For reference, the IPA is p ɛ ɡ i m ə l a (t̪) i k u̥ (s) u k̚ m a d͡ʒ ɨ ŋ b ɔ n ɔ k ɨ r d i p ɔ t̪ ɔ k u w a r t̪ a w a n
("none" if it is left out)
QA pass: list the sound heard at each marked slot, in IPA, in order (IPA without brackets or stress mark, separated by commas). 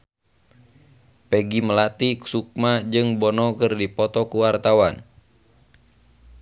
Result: t̪, s